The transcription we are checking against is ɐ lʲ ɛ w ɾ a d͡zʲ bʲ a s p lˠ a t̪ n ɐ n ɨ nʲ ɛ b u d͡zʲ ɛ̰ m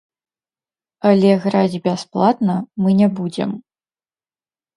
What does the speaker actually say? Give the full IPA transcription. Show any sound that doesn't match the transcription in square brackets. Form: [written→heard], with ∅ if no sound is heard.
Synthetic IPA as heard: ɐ lʲ ɛ [w→ɣ] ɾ a d͡zʲ bʲ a s p lˠ a t̪ n ɐ [n→m] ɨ nʲ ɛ b u d͡zʲ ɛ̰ m